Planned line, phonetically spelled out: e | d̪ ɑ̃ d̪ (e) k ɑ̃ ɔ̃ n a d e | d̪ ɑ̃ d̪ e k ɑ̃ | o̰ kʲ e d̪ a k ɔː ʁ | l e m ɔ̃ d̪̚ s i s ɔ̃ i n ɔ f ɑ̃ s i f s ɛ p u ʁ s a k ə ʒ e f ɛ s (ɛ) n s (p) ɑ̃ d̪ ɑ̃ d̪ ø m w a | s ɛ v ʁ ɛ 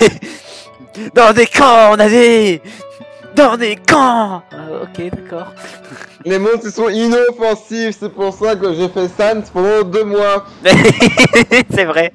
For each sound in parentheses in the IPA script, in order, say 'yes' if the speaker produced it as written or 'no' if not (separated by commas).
yes, no, yes